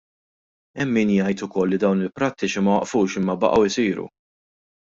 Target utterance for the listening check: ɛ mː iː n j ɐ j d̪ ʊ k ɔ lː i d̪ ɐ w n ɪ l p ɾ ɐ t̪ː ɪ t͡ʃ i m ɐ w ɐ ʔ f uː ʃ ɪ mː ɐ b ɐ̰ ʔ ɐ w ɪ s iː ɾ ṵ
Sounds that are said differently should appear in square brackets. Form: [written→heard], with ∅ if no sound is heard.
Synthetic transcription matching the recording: ɛ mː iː n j ɐ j [d̪→t̪] ʊ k ɔ lː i d̪ ɐ w n ɪ l p ɾ ɐ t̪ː ɪ t͡ʃ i m ɐ w ɐ ʔ f uː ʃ ɪ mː ɐ b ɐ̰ ʔ ɐ w ɪ s iː ɾ ṵ